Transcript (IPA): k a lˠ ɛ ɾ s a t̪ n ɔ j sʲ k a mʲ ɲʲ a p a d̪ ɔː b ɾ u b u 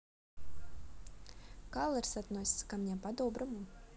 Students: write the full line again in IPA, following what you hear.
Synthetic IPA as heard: k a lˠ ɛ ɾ s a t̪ n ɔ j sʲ k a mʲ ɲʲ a p a d̪ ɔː b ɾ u m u

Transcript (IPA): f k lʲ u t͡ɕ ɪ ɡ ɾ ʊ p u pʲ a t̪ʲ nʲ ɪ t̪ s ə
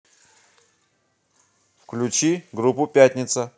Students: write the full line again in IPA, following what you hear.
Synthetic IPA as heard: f k lʲ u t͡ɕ i ɡ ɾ u p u pʲ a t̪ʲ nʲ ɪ t̪ s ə

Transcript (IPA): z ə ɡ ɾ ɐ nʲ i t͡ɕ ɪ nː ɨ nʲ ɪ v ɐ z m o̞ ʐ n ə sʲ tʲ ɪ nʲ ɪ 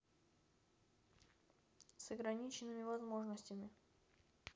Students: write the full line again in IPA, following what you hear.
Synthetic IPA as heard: s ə ɡ ɾ ɐ nʲ i t͡ɕ ɪ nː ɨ mʲ ɪ v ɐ z m o̞ ʐ n ə sʲ tʲ ɪ mʲ ɪ

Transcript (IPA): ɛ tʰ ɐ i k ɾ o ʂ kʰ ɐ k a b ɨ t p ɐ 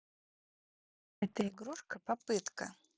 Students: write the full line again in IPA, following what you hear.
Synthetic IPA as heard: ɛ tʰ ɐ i ɡ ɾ u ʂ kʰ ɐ p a p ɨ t k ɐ

